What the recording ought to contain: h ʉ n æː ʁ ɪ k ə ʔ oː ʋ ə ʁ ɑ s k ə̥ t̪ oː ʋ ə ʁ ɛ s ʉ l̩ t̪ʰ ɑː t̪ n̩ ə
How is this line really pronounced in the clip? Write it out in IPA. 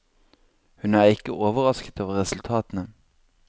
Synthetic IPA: h ʉ n æː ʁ ɪ k ə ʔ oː ʋ ə ʁ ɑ s k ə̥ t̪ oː ʋ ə ʁ ɛ s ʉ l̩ t̪ʰ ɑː t̪ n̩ ə